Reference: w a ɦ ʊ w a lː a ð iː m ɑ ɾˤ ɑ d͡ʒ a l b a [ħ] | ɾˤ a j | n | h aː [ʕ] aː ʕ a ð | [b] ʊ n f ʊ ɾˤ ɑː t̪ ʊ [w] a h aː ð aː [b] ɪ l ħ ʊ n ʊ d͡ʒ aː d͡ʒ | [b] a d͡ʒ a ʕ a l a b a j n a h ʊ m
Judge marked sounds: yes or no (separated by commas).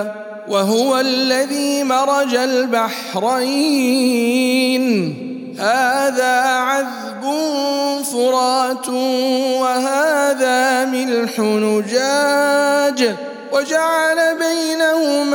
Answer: yes, no, yes, yes, no, no